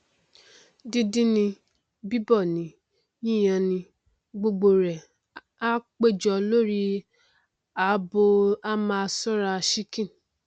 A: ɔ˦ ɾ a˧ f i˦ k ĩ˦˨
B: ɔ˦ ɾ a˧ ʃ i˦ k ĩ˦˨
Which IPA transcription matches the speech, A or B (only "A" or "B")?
B